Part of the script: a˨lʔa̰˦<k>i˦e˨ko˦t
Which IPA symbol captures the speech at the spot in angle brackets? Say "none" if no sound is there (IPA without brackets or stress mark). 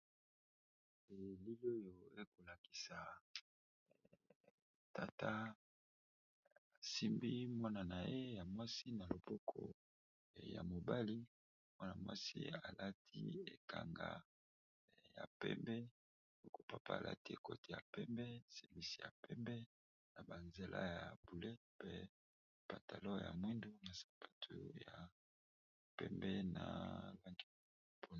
t